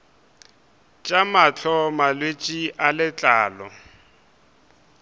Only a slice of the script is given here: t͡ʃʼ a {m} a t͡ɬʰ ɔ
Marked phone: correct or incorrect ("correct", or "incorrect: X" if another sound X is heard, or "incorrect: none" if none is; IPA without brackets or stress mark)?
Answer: correct